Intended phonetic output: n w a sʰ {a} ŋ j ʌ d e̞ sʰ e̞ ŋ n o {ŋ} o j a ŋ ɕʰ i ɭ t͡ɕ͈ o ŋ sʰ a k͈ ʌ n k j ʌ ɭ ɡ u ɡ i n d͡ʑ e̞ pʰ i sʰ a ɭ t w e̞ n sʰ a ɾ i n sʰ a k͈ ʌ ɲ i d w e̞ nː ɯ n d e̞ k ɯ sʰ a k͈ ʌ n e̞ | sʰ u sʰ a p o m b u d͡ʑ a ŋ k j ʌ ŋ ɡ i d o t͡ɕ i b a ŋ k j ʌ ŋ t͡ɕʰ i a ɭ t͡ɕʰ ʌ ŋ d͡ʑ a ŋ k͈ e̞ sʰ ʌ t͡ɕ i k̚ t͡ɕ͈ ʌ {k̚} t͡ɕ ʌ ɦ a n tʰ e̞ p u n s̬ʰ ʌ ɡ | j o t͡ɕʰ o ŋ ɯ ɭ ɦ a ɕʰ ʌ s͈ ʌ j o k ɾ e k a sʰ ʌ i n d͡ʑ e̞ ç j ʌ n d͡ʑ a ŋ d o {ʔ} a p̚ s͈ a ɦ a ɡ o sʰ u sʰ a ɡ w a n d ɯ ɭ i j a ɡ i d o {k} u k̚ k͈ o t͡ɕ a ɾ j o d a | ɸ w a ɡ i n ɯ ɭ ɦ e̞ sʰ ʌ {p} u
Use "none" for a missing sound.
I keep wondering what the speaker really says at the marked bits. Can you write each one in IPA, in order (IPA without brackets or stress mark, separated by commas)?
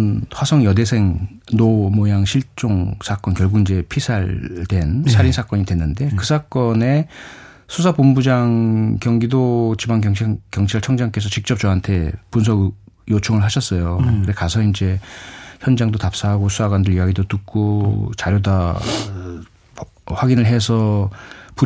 ʌ, m, p̚, t, t, p